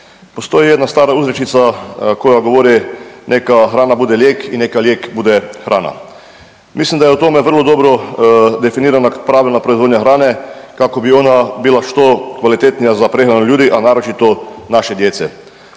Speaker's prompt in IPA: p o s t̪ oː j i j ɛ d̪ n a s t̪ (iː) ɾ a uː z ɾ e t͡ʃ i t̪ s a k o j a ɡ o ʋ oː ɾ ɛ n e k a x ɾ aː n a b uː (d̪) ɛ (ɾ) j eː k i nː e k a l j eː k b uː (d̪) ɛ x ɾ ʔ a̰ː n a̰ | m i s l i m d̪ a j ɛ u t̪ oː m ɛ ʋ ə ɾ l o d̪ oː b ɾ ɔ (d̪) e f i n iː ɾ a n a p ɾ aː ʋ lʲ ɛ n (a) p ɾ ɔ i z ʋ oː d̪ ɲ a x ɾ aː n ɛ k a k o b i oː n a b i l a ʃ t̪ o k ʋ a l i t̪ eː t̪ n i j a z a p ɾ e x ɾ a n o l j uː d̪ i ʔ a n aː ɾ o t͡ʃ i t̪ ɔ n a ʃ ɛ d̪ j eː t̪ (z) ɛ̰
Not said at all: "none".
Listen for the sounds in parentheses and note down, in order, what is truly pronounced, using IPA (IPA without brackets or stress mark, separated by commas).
aː, d̪, l, d̪, d̪, a, s